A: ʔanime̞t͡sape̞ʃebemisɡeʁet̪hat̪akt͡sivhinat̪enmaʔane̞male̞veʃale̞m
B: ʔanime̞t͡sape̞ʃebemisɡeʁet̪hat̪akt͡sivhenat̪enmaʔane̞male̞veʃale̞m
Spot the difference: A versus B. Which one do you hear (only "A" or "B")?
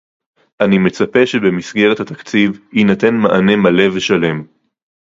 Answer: A